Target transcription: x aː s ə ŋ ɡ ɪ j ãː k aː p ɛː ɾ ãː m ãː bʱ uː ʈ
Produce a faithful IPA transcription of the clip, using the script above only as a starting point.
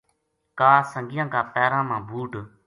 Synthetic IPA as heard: k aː s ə ŋ ɡ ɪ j ãː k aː p ɛː ɾ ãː m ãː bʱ uː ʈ

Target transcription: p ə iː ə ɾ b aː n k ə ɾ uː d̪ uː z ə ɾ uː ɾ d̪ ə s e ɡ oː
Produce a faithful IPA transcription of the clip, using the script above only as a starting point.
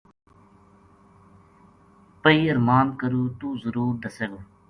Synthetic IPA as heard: p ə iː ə ɾ m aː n k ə ɾ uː t̪ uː z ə ɾ uː ɾ d̪ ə s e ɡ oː

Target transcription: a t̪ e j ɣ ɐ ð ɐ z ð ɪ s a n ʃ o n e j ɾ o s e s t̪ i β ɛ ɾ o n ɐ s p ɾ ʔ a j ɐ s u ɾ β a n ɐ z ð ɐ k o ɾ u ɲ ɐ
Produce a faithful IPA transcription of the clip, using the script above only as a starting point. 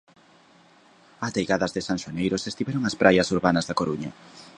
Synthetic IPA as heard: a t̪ e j ɣ a ð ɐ z ð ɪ s a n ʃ o n e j ɾ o s e s t̪ i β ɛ ɾ o ŋ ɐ s p ɾ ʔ a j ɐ s u ɾ β a n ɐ z ð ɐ k o ɾ u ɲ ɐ

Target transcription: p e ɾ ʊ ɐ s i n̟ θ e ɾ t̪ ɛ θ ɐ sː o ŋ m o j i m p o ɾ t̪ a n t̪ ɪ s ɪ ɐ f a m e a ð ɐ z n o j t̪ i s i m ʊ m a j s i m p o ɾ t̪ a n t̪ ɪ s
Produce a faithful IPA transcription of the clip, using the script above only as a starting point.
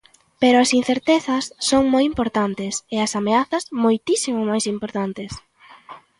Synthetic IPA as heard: p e ɾ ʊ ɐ s i n̟ θ e ɾ t̪ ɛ θ ɐ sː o ŋ m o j i m p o ɾ t̪ a n t̪ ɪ s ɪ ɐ s a m e a θ ɐ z m o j t̪ i s i m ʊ m a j s i m p o ɾ t̪ a n t̪ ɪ s

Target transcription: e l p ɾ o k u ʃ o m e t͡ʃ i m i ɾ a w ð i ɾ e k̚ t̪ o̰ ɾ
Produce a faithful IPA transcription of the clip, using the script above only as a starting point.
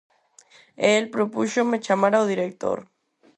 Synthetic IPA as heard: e l p ɾ o p u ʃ o m e t͡ʃ a m a ɾ a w ð i ɾ e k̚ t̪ o̰ ɾ

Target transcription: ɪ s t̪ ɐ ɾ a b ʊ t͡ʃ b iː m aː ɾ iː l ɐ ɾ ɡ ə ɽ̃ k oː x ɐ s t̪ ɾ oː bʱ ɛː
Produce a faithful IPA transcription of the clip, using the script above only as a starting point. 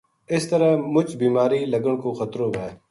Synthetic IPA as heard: ɪ s t̪ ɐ ɾ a m ʊ t͡ʃ b iː m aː ɾ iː l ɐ ɡ ə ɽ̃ k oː x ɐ t̪ ɾ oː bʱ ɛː

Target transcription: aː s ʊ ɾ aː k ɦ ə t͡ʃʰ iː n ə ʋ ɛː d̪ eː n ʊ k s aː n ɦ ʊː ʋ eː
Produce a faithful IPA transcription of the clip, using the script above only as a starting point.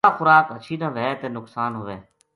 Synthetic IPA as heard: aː x ʊ ɾ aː k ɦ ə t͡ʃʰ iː n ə ʋ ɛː t̪ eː n ʊ k s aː n ɦ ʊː ʋ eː

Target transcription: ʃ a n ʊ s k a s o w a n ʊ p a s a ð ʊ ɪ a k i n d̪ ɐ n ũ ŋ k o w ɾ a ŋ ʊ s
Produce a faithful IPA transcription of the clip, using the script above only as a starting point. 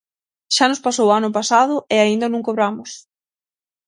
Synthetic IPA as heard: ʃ a n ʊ s p a s o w a n ʊ p a s a ð ʊ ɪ a i n d̪ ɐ n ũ ŋ k o β ɾ a m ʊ s

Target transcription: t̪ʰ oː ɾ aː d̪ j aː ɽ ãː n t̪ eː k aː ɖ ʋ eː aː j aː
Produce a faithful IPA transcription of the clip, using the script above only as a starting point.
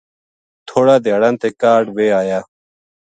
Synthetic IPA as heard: t̪ʰ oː ɽ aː d̪ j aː ɽ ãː n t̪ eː k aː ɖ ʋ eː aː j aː

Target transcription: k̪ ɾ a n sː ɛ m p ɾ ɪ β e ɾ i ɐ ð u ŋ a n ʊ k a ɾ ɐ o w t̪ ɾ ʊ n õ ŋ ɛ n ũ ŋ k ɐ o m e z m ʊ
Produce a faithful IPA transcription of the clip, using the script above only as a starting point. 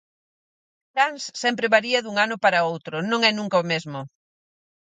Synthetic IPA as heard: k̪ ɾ a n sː ɛ m p ɾ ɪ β a ɾ i ɐ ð u ŋ a n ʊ p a ɾ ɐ o w t̪ ɾ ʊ n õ ŋ ɛ n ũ ŋ k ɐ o m e z m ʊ

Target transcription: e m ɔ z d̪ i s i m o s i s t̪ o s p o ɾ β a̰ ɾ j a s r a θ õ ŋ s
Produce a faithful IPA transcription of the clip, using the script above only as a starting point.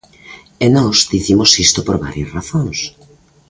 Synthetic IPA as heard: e n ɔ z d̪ i θ i m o s i s t̪ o p o ɾ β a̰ ɾ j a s r a θ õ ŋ s

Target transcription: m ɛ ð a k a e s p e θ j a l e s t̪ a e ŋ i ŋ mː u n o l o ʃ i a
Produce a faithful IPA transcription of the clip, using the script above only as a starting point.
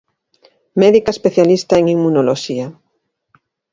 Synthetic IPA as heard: m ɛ ð i k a e s p e θ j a l i s t̪ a e ŋ i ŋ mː u n o l o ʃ i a

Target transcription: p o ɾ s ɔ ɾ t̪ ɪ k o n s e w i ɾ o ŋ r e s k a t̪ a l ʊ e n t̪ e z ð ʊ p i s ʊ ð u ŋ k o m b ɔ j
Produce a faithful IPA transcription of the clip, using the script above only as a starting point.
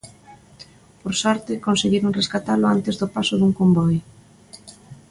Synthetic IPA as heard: p o ɾ s ɔ ɾ t̪ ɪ k o n s e ɣ i ɾ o ŋ r e s k a t̪ a l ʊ a n t̪ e z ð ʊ p a s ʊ ð u ŋ k o m b ɔ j

